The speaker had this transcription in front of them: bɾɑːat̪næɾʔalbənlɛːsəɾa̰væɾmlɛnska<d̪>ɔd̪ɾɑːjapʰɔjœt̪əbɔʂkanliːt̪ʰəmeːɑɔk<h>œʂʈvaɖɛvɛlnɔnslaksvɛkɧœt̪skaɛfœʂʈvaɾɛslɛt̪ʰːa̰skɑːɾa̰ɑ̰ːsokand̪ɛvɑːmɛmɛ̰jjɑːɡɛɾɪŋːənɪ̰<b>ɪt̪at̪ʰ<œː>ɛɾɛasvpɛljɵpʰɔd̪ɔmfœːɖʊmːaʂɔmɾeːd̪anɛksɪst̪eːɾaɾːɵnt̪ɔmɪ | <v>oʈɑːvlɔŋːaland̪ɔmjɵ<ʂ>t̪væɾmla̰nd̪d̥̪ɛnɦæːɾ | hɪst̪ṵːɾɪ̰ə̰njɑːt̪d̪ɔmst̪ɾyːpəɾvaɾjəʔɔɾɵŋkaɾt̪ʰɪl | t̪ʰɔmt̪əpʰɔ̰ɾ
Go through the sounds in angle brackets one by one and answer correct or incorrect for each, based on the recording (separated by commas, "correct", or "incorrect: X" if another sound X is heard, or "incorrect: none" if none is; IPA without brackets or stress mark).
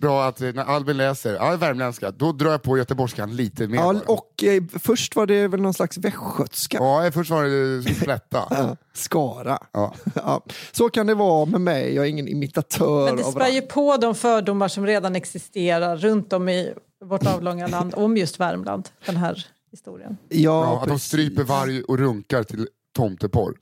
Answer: correct, incorrect: f, incorrect: m, correct, correct, incorrect: s